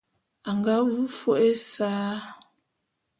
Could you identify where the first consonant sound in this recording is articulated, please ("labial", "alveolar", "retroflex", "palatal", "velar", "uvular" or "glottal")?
velar